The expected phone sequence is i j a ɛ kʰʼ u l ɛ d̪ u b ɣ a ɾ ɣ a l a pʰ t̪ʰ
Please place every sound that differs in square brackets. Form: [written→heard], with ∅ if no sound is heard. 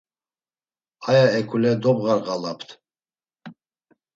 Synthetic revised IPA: [i→a] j a ɛ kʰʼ u l ɛ d̪ [u→ɔ] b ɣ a ɾ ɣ a l a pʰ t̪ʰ